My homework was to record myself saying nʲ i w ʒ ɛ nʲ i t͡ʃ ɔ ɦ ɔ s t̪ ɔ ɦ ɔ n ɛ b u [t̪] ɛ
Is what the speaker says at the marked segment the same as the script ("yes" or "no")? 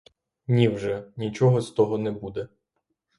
no